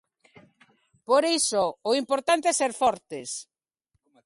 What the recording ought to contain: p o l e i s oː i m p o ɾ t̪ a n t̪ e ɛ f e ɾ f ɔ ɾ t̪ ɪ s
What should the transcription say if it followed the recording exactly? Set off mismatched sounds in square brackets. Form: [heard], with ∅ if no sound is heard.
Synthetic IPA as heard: p o [ɾ] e [j] s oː i m p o ɾ t̪ a n t̪ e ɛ [s] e ɾ f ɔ ɾ t̪ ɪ s